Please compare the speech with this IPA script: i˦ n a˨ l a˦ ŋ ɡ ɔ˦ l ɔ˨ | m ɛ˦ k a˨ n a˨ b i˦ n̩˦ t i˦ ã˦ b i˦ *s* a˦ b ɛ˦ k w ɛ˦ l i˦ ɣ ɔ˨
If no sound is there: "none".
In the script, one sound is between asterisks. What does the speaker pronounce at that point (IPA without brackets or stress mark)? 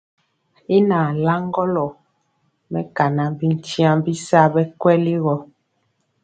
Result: s